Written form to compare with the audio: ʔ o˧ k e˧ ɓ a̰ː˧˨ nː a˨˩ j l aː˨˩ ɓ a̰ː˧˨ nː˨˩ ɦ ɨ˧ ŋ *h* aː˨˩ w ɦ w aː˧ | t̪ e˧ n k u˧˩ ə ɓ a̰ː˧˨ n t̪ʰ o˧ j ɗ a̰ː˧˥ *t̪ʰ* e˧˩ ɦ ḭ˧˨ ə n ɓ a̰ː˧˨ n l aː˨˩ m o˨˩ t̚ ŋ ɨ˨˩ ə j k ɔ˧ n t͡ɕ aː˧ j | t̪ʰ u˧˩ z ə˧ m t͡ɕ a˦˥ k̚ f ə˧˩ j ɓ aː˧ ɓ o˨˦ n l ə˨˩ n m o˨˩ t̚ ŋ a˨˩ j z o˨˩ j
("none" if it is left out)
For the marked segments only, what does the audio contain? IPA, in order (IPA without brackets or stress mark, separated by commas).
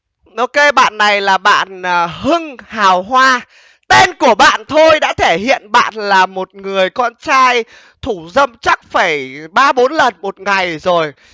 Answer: h, t̪ʰ